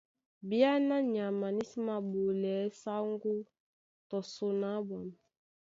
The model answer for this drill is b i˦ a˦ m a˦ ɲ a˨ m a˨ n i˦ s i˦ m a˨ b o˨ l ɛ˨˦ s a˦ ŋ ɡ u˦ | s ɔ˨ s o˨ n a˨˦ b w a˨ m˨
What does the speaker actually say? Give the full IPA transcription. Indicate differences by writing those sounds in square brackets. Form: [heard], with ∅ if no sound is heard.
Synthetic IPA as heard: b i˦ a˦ [n] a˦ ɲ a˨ m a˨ n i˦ s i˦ m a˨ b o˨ l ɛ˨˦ s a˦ ŋ ɡ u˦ | [t] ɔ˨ s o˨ n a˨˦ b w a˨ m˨

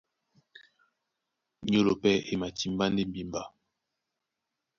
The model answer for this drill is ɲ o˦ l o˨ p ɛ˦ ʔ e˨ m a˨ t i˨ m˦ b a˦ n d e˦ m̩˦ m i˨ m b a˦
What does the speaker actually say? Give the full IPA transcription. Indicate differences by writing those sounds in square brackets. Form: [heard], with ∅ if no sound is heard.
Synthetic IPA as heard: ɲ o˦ l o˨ p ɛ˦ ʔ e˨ m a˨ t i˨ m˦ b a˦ n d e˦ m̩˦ [b] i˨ m b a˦

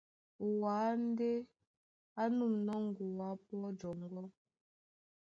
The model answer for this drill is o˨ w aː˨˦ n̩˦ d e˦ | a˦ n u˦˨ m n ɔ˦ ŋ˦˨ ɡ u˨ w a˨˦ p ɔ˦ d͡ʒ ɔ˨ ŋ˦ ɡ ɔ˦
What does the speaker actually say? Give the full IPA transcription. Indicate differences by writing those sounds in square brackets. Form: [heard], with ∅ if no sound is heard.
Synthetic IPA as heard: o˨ w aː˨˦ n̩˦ d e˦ | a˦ n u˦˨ m n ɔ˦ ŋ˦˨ ɡ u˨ w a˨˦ p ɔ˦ d͡ʒ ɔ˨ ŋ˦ ɡ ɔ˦

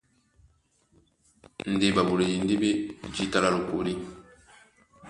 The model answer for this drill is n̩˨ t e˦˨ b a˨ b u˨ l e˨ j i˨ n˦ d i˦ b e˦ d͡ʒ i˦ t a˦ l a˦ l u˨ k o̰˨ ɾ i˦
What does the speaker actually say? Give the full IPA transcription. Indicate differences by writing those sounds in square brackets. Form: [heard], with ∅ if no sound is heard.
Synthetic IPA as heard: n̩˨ [d] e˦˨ b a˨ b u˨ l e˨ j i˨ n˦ d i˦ b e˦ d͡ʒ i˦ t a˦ l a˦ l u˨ k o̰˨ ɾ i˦

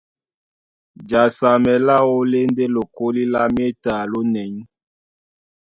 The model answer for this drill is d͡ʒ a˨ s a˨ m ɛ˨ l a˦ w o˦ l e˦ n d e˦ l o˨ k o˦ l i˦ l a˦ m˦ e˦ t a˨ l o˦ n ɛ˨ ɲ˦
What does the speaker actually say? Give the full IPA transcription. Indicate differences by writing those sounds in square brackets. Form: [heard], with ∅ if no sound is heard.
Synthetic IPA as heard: d͡ʒ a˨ s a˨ m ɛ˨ l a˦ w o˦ l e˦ n d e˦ l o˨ k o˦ l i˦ l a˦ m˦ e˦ t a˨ l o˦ n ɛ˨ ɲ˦

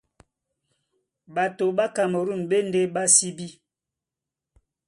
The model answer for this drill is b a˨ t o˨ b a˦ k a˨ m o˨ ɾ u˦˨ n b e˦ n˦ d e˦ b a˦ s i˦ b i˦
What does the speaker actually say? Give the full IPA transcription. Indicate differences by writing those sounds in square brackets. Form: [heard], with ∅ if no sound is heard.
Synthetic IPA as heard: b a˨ t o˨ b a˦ k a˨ m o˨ ɾ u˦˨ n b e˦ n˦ d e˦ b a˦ s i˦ b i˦

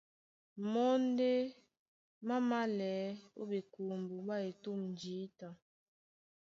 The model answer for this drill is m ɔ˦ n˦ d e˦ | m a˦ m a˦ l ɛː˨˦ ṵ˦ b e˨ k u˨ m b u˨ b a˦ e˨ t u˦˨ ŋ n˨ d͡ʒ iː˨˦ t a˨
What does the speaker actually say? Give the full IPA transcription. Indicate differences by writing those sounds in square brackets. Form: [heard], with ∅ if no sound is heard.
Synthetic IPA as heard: m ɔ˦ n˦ d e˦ | m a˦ m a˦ l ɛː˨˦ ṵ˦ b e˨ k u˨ m b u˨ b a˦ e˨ t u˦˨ [m] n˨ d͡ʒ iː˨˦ t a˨

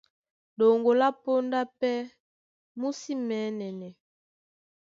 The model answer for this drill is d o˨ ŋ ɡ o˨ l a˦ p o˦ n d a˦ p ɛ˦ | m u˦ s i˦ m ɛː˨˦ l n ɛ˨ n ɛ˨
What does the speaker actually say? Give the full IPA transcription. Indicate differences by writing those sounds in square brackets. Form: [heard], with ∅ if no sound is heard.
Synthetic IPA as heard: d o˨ ŋ ɡ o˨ l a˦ p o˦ n d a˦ p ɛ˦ | m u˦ s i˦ m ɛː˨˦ [∅] n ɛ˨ n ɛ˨

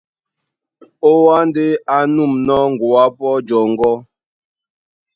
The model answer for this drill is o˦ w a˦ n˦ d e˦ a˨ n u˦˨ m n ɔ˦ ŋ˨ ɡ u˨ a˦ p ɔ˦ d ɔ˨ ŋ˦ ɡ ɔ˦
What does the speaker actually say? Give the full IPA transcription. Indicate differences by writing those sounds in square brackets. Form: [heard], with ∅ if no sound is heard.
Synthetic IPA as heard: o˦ w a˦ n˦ d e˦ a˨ n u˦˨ m n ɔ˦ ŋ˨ ɡ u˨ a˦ p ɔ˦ [d͡ʒ] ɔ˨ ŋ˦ ɡ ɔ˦

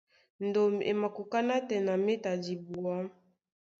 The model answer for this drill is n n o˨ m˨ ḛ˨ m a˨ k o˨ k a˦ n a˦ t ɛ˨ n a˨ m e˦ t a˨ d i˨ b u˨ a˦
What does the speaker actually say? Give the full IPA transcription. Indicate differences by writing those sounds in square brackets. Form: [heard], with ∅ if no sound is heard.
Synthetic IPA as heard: n [d] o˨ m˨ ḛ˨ m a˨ k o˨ k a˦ n a˦ t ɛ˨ n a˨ m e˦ t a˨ d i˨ b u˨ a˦

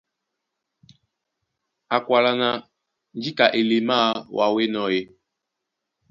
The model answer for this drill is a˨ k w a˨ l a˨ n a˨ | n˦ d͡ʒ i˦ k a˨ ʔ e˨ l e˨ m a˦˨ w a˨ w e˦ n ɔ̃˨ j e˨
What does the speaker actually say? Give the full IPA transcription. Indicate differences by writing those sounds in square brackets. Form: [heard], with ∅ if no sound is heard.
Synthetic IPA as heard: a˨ k w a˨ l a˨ n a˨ | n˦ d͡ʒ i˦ k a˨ ʔ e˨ l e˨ m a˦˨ w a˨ w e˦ n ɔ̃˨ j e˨

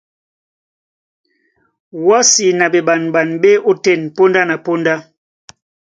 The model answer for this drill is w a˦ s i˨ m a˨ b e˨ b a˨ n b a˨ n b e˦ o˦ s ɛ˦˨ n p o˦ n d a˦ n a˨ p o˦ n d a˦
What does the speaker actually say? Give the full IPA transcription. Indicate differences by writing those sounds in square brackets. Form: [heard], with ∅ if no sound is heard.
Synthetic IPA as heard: w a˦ s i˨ [n] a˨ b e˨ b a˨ n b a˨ n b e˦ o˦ [t] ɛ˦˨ n p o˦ n d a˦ n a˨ p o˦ n d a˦

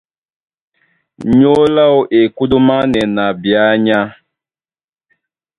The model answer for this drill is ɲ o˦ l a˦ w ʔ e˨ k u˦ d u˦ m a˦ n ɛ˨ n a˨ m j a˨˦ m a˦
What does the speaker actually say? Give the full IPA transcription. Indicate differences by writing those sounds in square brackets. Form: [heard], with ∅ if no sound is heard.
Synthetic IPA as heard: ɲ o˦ l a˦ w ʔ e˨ k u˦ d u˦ m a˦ n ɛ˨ n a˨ [b] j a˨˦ [ɲ] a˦

